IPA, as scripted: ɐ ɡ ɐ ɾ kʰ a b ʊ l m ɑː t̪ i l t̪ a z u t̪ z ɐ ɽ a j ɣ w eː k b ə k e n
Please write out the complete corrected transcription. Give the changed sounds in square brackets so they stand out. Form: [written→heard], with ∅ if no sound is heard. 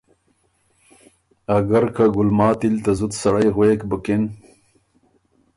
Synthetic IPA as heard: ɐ ɡ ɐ ɾ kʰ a [b→ɡ] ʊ l m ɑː t̪ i l t̪ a z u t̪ [z→s] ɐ ɽ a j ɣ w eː k b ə k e n